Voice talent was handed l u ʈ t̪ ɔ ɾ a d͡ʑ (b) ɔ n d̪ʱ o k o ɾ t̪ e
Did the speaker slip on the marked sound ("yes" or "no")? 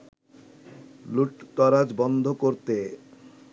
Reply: no